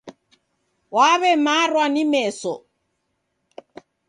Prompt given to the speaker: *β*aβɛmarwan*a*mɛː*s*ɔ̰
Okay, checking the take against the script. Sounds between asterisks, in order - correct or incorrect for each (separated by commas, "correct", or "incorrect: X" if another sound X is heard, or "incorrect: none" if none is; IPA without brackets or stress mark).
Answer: incorrect: w, incorrect: i, correct